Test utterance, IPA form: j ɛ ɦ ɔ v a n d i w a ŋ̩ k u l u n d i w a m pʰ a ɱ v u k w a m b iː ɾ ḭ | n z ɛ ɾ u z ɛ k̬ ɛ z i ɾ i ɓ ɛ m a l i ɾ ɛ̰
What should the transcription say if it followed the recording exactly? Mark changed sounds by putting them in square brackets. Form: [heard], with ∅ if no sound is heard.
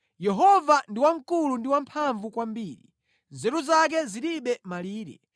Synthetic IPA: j ɛ ɦ ɔ v a n d i w a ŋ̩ k u l u n d i w a m pʰ a ɱ v u k w a m b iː ɾ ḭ | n z ɛ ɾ u z [a] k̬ ɛ z i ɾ i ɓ ɛ m a l [iː] ɾ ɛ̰